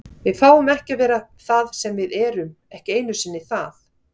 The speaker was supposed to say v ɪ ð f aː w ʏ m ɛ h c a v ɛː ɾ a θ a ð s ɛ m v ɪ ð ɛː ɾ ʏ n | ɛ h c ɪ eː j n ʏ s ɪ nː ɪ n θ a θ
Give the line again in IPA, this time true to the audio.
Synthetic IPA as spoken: v ɪ ð f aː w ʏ m ɛ h c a v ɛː ɾ a θ a ð s ɛ m v ɪ ð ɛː ɾ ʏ m | ɛ h c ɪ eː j n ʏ s ɪ nː ɪ θ a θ